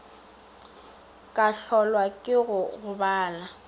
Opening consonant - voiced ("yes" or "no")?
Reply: no